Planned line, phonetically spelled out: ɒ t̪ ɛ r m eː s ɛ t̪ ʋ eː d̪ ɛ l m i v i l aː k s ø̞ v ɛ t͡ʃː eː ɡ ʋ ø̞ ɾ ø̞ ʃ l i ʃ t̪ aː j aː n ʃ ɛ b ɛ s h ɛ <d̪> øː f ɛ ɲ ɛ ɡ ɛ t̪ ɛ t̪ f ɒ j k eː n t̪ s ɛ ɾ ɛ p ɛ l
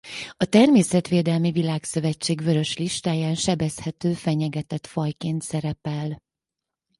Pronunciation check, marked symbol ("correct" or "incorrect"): incorrect